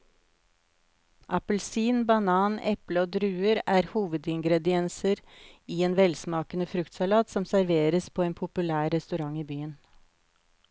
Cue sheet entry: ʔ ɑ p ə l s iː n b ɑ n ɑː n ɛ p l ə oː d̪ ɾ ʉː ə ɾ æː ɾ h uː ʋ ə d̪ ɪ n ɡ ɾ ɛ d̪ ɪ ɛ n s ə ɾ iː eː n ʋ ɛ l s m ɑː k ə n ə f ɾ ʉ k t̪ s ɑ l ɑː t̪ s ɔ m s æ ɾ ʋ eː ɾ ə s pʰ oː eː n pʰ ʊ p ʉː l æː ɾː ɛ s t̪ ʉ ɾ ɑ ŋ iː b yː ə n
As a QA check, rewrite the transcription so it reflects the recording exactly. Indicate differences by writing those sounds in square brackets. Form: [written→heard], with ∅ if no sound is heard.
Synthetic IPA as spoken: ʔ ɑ p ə l s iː n b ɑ n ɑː n ɛ p l ə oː d̪ ɾ ʉː ə ɾ æː ɾ h uː ʋ ə d̪ ɪ [n→ŋ] ɡ ɾ ɛ d̪ ɪ ɛ n s ə ɾ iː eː n ʋ ɛ l s m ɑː k ə n ə f ɾ ʉ k t̪ s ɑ l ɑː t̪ s ɔ m s æ ɾ ʋ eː ɾ ə s pʰ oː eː n pʰ ʊ p [ʉː→ʉ] l æː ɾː ɛ s t̪ ʉ ɾ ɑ ŋ iː b yː ə n